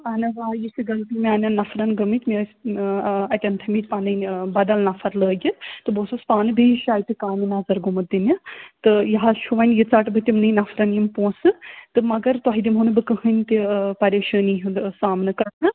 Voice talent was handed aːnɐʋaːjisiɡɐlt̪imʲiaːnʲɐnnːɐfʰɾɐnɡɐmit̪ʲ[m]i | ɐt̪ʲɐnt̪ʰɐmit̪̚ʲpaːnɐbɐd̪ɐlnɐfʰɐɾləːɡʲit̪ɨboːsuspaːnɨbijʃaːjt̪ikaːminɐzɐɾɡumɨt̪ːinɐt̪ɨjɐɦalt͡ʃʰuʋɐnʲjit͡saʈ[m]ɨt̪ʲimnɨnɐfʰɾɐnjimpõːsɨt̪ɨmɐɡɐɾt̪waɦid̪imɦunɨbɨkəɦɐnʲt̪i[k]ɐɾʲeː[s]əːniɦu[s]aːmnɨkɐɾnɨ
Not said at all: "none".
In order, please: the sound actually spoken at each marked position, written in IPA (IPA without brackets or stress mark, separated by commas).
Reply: m, b, p, ʃ, s